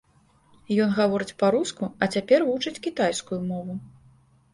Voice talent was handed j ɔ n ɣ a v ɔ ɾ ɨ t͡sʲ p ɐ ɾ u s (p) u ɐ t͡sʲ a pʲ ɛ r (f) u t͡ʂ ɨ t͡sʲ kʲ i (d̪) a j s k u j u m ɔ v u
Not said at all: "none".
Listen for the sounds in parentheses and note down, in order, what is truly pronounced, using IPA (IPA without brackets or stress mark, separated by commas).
k, v, t̪